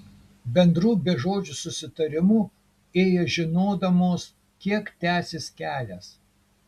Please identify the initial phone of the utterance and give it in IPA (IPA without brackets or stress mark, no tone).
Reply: bʲ